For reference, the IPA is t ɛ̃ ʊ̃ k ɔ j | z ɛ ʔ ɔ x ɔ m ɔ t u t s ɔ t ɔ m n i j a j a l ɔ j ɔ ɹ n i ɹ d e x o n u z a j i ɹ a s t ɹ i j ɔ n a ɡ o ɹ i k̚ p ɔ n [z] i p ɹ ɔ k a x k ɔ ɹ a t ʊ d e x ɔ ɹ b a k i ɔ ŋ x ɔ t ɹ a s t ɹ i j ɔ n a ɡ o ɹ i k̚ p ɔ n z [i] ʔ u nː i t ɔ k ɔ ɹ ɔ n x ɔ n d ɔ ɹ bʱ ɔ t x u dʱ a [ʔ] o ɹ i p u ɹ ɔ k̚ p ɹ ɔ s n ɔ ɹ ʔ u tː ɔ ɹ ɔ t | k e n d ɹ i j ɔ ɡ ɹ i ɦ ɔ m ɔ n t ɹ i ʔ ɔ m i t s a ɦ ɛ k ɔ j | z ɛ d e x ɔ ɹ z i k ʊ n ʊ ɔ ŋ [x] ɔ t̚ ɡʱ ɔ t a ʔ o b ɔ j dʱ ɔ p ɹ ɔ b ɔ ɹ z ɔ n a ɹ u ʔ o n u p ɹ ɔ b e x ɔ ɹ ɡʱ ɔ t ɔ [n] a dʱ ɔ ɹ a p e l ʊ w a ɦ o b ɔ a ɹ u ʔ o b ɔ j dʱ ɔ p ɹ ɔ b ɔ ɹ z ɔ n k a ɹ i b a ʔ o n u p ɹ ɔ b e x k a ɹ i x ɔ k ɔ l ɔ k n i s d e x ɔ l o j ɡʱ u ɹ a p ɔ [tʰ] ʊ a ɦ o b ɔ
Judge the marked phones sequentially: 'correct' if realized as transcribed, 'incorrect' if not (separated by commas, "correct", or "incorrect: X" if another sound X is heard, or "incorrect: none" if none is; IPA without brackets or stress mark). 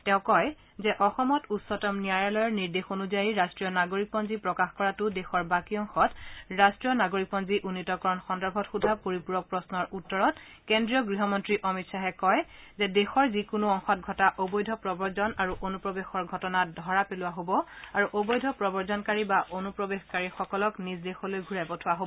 correct, correct, incorrect: p, correct, correct, correct